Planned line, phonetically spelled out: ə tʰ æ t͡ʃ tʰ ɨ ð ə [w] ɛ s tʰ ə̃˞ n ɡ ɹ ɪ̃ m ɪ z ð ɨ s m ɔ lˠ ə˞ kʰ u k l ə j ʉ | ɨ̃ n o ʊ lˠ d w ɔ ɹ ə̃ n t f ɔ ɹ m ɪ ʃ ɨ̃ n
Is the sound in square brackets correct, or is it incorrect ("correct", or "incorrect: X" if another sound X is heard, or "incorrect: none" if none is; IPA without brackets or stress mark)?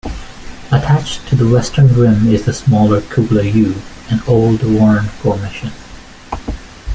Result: correct